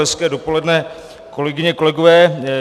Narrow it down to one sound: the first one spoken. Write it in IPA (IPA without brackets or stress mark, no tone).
ɛ